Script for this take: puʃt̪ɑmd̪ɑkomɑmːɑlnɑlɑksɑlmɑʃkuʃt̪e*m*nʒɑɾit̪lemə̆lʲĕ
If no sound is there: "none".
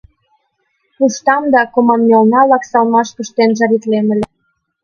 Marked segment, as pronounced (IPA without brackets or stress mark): none